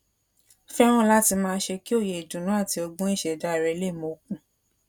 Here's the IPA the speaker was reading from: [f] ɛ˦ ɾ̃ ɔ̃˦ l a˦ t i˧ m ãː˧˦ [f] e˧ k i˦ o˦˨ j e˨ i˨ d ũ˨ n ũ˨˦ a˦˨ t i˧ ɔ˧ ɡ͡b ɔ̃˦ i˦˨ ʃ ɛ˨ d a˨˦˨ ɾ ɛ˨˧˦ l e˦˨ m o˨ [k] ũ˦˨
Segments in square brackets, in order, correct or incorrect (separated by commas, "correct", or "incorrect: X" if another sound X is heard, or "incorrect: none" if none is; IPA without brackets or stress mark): correct, incorrect: ʃ, correct